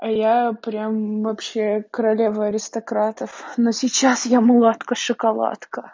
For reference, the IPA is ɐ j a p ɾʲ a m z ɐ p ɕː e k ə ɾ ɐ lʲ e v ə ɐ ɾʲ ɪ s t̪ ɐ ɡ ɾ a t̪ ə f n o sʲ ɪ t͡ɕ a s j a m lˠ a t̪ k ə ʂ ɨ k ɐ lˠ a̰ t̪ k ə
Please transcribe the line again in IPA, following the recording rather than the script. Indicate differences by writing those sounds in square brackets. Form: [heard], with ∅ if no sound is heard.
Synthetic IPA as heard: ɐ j a p ɾʲ a m [v] ɐ p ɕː e k ə ɾ ɐ lʲ e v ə ɐ ɾʲ ɪ s t̪ ɐ [k] ɾ a t̪ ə f n o sʲ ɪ t͡ɕ a s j a m lˠ a t̪ k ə ʂ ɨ k ɐ lˠ a̰ t̪ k ə